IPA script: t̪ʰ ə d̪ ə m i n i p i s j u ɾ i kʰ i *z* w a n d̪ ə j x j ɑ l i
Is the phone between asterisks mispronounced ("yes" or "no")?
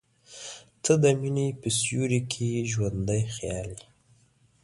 yes